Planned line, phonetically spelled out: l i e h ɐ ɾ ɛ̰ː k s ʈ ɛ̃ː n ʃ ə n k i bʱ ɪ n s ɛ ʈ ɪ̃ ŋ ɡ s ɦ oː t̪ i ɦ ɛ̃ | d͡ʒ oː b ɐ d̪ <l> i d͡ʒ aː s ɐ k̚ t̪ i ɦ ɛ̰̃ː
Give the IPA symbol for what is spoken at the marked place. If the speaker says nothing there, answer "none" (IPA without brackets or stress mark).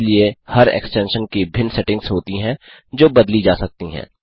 l